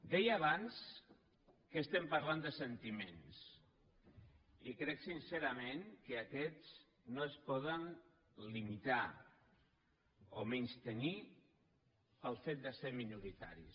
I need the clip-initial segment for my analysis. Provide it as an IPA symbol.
d̪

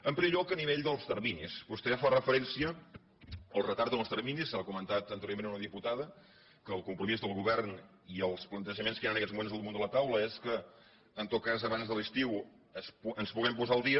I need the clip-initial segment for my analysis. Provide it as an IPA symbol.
ə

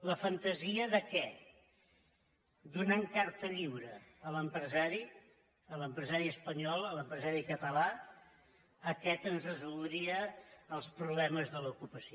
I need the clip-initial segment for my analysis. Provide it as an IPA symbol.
l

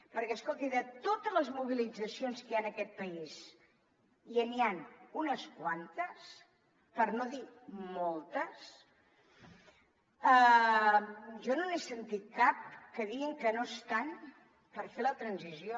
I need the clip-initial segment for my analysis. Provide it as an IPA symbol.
p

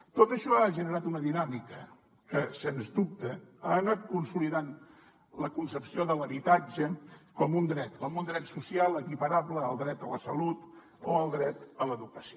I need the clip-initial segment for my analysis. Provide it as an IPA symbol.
t̪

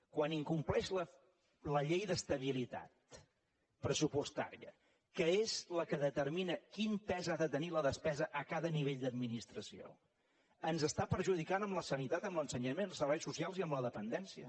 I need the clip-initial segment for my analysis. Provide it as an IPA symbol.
k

